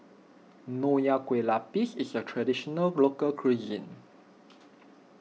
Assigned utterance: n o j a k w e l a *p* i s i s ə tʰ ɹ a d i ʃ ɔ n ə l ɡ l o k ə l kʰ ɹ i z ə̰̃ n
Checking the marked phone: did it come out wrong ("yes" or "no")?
no